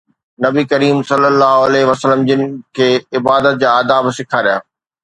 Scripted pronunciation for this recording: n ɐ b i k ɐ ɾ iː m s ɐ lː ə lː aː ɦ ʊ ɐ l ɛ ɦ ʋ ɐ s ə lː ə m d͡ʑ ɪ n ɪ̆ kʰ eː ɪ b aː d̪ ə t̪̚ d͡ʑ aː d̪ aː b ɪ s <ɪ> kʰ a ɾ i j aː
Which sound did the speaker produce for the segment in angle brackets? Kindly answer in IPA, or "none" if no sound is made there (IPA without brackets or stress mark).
ɪ